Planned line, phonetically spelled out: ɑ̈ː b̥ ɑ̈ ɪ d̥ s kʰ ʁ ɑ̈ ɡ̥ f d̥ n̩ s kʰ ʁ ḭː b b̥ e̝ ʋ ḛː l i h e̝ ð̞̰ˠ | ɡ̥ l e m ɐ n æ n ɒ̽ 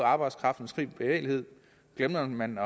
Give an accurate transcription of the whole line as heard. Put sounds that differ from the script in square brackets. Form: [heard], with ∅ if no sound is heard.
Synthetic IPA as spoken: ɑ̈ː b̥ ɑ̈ ɪ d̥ s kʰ ʁ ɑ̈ [∅] f d̥ n̩ s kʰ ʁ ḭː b b̥ e̝ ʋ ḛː l i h e̝ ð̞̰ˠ | ɡ̥ l e m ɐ [m] æ n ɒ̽